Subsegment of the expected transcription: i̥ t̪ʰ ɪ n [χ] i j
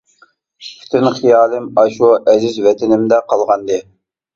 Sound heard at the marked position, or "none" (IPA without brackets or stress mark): χ